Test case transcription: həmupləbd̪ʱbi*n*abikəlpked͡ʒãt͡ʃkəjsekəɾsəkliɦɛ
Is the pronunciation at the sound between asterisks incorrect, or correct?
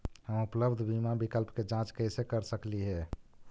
incorrect: m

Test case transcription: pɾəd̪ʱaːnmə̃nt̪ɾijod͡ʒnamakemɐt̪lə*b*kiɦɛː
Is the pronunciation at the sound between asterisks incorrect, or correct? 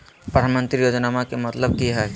correct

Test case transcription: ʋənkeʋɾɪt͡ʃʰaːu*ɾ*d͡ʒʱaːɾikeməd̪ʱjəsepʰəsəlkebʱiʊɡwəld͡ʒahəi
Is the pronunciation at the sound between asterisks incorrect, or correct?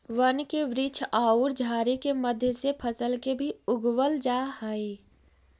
correct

